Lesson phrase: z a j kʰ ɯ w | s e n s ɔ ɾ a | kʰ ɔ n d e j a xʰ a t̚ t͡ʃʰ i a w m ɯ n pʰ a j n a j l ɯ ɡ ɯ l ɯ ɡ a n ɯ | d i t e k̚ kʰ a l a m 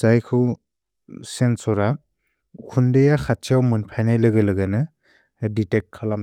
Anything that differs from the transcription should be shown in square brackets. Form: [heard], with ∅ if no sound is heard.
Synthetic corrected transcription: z a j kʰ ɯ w | s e n s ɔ ɾ a | kʰ [u] n d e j a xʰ a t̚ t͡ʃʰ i a w m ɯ n pʰ a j n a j l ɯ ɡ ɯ l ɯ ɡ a n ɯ | d i t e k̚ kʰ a l a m